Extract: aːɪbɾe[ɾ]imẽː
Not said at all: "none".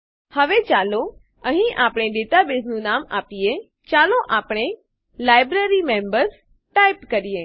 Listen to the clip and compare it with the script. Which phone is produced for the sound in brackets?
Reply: ɾ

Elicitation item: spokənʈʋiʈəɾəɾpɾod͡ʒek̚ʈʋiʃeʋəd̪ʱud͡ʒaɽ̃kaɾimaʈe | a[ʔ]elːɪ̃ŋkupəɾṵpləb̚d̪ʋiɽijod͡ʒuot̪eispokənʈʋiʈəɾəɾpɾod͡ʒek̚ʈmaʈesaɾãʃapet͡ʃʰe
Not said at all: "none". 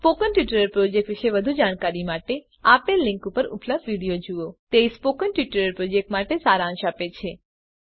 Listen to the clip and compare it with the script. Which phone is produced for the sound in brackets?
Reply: p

